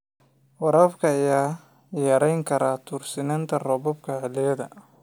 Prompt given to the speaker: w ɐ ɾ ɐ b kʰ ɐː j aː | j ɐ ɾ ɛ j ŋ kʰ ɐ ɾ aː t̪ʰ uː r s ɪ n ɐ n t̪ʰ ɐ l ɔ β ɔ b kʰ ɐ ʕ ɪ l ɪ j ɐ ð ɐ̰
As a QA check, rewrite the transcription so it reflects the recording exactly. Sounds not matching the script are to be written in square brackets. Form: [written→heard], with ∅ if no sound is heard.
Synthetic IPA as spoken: w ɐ ɾ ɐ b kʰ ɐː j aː | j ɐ ɾ ɛ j ŋ kʰ ɐ ɾ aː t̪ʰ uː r s ɪ n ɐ n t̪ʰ ɐ [l→r] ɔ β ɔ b kʰ ɐ ʕ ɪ l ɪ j ɐ ð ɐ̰